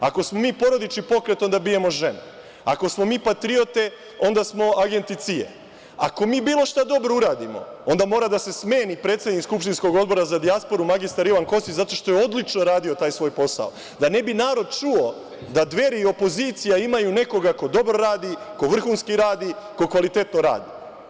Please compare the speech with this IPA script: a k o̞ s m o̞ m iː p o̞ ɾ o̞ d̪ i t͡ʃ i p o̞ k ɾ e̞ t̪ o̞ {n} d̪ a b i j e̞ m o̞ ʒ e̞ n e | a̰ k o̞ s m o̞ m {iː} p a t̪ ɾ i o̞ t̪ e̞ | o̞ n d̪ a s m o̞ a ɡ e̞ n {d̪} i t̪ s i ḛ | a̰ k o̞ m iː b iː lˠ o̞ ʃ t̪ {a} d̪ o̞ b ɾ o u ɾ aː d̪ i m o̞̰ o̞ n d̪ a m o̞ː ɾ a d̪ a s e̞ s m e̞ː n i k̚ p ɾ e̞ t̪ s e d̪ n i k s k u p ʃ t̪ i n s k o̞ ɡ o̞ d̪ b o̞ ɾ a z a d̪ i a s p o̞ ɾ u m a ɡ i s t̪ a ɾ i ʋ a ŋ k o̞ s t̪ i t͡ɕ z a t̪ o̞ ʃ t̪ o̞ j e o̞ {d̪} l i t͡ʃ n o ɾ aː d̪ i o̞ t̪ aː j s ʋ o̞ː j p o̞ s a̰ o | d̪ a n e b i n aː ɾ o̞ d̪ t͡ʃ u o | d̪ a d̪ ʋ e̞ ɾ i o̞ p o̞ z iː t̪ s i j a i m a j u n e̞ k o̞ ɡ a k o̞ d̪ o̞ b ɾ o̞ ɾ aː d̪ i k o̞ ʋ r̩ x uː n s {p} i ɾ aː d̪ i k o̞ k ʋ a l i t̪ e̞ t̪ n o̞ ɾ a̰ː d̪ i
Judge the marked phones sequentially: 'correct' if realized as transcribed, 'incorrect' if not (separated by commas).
correct, correct, incorrect, correct, correct, incorrect